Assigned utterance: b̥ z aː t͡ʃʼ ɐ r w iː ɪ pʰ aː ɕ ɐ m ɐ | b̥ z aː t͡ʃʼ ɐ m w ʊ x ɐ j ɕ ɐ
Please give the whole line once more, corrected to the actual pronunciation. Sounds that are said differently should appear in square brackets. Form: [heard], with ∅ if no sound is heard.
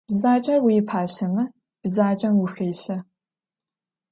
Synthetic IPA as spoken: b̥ z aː t͡ʃʼ ɐ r w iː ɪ pʰ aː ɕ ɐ m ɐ | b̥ z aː t͡ʃʼ ɐ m w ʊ x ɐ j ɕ ɐ